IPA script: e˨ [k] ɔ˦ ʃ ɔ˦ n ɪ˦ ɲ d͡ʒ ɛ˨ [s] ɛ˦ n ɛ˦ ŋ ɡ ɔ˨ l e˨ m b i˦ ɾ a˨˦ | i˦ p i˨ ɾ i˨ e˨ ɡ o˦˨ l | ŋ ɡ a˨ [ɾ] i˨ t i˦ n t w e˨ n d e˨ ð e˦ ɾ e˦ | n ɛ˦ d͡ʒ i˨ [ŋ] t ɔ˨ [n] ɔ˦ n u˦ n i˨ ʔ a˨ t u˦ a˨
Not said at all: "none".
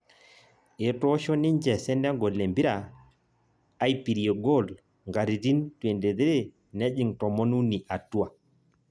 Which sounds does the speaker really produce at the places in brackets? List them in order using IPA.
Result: t, s, ɾ, ŋ, m

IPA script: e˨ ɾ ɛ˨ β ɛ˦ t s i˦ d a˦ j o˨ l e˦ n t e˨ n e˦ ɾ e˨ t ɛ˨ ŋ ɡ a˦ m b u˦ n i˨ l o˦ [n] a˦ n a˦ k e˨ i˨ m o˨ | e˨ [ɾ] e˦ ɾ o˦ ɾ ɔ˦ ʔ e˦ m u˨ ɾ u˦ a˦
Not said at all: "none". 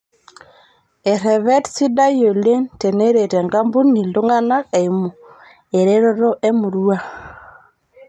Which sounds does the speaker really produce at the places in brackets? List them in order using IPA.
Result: ŋ, ɾ

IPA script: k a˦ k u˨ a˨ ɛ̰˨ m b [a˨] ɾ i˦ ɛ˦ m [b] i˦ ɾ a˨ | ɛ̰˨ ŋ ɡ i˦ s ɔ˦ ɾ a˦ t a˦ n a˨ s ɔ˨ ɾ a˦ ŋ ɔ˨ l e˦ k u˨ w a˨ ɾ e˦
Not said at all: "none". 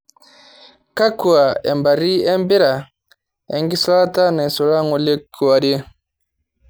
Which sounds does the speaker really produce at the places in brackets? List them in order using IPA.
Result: a˨, b

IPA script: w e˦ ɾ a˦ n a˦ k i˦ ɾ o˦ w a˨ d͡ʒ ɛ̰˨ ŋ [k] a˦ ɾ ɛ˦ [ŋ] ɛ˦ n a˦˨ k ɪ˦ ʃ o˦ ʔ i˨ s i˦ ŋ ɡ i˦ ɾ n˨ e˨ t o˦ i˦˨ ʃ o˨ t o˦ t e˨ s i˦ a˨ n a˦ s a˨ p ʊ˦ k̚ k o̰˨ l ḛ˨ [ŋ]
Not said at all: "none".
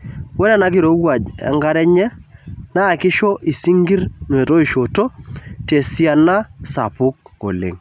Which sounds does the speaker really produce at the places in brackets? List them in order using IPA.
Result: ɡ, ɲ, ŋ

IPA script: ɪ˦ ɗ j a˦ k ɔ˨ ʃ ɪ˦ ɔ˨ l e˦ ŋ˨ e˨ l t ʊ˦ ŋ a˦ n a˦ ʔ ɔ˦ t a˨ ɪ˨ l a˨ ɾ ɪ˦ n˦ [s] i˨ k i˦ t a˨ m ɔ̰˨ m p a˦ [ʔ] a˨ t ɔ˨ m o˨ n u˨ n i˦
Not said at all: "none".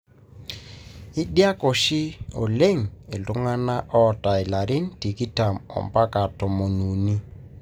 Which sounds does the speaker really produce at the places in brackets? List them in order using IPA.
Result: t, k

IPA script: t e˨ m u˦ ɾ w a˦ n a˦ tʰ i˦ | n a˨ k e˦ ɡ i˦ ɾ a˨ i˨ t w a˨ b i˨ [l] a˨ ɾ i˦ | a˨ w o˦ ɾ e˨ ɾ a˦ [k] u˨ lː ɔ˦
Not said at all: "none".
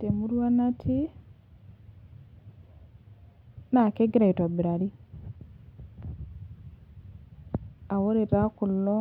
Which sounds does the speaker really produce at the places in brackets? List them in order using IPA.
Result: ɾ, k

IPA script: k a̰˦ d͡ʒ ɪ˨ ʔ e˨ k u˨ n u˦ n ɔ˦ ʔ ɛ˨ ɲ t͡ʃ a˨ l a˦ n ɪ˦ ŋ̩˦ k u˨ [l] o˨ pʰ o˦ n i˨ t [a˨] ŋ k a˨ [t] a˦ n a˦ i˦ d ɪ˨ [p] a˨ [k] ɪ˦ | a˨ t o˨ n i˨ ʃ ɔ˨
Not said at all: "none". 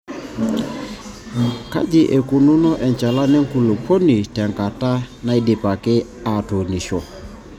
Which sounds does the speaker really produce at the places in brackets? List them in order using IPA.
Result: l, ɛ˨, t, p, k

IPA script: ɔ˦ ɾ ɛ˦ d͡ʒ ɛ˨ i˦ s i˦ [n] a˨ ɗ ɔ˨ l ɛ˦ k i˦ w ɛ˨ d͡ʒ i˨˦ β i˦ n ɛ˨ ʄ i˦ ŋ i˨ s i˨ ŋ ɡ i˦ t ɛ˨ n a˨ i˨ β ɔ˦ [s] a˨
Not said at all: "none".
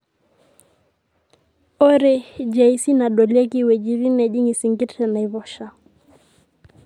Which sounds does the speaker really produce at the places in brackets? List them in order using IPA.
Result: n, ʃ

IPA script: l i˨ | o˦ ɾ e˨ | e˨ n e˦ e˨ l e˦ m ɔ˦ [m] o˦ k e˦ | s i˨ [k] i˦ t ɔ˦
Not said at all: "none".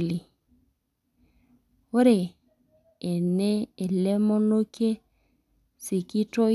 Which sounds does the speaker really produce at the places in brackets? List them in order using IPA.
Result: n, k

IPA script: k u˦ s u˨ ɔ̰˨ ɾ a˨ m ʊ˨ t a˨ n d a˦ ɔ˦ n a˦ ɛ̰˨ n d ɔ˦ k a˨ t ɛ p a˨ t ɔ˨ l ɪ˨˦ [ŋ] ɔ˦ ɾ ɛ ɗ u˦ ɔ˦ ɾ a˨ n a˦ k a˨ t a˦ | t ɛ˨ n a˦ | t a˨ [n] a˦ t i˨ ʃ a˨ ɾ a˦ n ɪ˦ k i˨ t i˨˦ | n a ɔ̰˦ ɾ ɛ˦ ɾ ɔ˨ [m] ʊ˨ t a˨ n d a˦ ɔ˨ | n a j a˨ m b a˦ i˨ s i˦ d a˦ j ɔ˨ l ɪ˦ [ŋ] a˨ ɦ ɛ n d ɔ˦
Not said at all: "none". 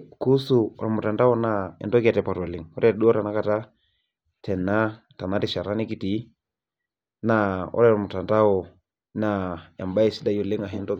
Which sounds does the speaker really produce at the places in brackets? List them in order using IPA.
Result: ŋ, n, m, ŋ

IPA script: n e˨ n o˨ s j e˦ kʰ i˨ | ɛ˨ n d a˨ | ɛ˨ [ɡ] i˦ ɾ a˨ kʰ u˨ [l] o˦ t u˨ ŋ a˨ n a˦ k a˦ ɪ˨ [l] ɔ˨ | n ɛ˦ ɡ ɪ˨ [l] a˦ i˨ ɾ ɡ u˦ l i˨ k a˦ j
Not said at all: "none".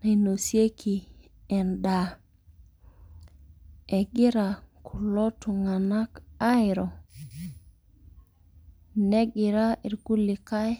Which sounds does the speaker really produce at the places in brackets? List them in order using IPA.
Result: ɡ, l, ɾ, ɾ

